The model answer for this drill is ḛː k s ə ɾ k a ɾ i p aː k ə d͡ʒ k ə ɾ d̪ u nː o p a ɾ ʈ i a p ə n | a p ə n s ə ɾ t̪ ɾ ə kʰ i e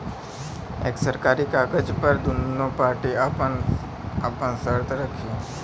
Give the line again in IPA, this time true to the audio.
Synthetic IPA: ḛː k s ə ɾ k a ɾ i k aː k ə d͡ʒ p ə ɾ d̪ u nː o p a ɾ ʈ i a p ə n | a p ə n s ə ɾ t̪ ɾ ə kʰ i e